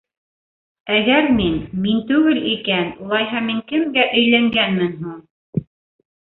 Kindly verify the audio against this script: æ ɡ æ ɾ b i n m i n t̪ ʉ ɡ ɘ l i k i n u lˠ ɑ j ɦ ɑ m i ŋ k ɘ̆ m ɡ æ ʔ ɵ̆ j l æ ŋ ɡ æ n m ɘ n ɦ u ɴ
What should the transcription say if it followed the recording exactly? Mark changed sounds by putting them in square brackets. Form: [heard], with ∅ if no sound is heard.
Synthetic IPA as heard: æ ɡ æ ɾ [m] i n m i n t̪ ʉ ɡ ɘ l i k [æ] n u lˠ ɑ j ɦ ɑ m i ŋ k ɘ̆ m ɡ æ ʔ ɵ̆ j l æ ŋ ɡ æ n m ɘ n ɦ u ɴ